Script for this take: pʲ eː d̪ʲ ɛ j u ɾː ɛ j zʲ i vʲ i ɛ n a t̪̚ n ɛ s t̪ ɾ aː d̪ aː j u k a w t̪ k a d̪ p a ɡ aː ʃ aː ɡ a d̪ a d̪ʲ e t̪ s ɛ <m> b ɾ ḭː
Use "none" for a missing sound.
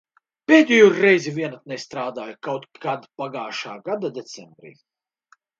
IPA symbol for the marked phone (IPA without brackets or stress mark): m